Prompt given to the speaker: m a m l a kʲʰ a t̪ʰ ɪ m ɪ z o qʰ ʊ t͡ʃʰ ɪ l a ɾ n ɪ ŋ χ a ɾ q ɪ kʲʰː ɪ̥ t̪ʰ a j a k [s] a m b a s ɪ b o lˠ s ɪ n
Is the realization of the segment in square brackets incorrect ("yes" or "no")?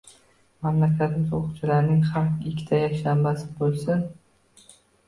yes